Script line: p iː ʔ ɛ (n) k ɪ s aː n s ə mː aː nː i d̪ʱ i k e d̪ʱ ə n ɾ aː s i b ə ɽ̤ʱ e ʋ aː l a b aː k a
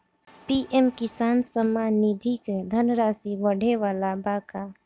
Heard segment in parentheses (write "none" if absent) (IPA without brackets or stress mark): m